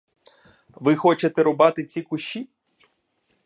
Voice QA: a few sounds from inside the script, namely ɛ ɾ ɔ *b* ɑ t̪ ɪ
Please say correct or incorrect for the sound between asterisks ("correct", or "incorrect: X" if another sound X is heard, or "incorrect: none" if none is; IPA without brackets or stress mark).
correct